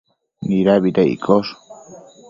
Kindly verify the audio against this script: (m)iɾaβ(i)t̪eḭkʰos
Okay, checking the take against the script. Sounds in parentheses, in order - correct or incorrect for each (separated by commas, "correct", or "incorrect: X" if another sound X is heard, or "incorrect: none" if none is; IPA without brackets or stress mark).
incorrect: n, correct